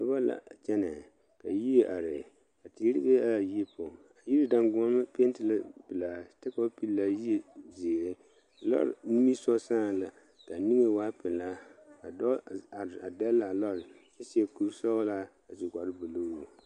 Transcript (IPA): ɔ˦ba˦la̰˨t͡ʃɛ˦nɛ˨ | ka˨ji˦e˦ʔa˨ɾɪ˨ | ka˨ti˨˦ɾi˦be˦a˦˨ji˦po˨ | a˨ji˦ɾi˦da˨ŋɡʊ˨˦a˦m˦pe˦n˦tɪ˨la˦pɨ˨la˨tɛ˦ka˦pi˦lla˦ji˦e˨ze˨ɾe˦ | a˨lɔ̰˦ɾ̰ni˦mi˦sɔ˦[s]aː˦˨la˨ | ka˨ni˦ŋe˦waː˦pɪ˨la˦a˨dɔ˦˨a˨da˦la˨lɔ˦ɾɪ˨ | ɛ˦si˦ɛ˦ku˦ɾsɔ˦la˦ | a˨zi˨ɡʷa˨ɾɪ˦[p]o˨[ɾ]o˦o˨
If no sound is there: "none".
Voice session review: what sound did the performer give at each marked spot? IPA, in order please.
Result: s, b, l

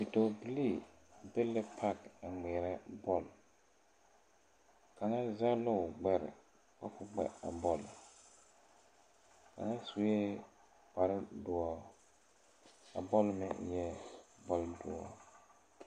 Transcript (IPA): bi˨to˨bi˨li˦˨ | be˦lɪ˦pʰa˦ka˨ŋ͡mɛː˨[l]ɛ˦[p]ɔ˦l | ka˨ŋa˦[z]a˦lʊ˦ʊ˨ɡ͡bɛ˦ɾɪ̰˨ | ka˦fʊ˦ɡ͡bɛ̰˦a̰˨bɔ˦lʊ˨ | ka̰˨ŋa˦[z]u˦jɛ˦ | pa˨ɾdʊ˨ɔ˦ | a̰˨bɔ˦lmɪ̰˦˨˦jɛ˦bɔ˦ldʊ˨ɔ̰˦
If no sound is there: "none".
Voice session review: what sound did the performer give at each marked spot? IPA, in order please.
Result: ɾ, b, z, s

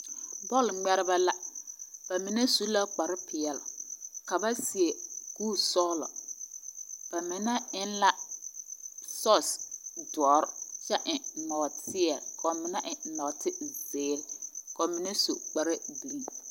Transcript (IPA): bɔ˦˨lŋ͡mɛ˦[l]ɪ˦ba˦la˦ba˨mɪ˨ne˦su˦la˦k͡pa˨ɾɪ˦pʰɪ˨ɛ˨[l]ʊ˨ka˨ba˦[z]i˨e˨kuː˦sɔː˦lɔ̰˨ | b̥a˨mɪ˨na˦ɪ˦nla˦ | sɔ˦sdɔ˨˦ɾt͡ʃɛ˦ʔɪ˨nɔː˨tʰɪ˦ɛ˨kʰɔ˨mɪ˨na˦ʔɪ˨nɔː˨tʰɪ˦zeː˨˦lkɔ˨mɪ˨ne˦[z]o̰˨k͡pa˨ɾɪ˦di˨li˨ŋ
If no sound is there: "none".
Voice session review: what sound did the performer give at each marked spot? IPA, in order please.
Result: ɾ, l, s, s

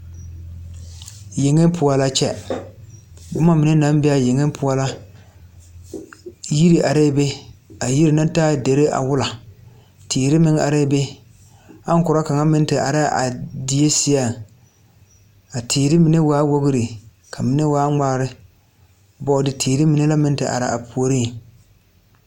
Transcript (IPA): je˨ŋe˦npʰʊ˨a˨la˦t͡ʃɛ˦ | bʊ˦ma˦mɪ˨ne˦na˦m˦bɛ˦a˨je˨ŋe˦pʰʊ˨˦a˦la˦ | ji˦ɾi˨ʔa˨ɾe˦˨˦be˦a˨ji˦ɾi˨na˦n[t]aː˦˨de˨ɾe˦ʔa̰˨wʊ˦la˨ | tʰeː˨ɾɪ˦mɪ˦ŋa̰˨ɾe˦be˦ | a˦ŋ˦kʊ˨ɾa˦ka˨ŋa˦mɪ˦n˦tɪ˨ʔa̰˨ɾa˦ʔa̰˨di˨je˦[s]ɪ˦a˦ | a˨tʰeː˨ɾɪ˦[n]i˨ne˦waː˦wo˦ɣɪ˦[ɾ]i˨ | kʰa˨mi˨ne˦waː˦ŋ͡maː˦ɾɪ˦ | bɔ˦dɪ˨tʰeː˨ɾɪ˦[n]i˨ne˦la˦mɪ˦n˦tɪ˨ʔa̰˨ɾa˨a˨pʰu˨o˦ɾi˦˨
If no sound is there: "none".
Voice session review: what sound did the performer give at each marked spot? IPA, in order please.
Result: t, s, m, ɾ, m

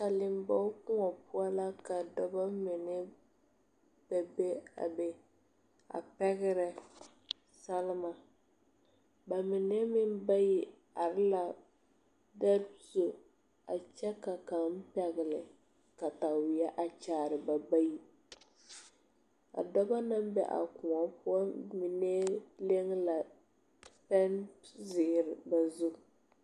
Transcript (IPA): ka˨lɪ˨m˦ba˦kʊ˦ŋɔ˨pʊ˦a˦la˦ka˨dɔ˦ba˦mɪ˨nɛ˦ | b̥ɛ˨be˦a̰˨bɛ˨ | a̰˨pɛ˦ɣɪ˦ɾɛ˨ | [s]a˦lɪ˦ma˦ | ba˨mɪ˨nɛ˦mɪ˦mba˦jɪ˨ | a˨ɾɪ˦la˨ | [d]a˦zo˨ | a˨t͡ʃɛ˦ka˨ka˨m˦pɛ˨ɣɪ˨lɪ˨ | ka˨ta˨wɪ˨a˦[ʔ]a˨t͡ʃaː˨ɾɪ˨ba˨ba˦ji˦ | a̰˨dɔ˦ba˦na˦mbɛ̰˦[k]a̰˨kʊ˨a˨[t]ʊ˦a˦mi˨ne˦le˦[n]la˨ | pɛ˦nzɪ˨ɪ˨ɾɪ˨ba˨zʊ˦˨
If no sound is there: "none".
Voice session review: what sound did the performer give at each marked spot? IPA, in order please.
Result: s, d, ʔ, ʔ, p, ŋ

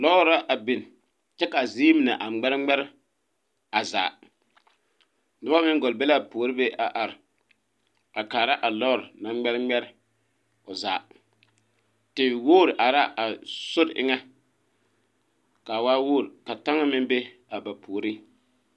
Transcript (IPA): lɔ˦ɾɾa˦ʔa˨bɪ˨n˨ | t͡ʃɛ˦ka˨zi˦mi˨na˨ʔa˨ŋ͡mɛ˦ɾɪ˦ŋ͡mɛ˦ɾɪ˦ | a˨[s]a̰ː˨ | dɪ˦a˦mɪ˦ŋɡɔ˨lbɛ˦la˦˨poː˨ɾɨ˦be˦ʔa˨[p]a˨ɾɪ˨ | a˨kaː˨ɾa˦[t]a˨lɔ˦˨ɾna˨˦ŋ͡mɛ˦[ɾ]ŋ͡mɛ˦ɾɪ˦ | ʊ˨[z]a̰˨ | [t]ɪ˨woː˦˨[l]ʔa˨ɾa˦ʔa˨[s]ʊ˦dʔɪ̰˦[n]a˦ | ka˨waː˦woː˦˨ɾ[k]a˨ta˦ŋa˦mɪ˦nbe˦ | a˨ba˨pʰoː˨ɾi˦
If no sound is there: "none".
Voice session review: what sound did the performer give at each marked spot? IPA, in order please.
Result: z, ʔ, ʔ, ɾ, z, t, ɾ, s, ŋ, k

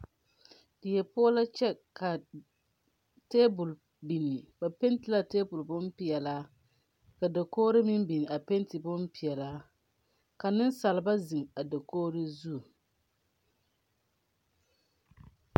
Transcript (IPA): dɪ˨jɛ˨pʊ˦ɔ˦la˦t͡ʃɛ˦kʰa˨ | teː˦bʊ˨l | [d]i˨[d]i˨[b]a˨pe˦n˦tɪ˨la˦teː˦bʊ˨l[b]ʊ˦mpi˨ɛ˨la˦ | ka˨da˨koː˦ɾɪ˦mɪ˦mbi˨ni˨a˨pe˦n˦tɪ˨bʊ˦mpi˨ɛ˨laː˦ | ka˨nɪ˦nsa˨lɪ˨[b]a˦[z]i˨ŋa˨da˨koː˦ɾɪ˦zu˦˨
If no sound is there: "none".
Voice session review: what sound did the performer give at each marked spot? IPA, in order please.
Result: b, n, b, b, b, z

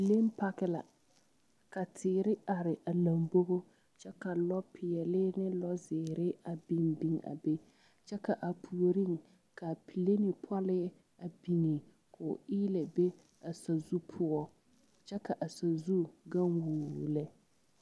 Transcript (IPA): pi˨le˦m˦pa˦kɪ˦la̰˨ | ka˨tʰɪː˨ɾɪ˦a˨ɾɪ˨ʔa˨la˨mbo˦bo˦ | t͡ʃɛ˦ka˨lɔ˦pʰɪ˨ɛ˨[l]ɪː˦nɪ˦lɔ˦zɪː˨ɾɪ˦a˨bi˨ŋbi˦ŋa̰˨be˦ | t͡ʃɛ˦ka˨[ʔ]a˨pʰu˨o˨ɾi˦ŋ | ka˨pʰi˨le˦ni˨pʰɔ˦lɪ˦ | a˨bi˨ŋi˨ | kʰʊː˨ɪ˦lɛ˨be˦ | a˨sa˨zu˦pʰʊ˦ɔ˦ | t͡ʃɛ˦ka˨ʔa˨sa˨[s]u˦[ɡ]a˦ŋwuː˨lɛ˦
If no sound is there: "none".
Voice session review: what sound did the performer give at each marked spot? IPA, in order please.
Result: l, ʔ, z, ɡ

